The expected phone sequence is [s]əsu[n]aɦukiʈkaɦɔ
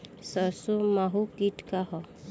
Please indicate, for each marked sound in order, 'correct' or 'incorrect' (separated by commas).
correct, incorrect